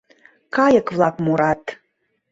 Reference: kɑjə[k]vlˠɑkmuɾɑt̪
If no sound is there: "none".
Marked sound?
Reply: k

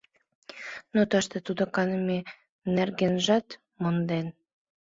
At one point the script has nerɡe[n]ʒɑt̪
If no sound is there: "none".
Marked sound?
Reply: n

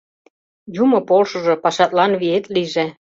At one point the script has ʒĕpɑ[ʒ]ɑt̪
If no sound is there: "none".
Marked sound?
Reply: ʃ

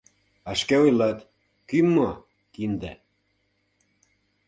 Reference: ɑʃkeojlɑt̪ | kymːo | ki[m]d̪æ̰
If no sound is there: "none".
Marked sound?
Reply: n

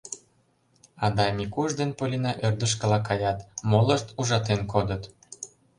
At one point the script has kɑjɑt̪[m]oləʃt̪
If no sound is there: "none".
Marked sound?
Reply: m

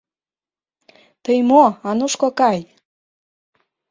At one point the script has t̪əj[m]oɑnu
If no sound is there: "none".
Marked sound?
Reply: m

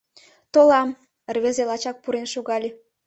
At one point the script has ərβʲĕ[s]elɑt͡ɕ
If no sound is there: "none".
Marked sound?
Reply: z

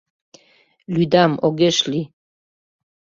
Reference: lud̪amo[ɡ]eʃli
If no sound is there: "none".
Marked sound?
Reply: ɡ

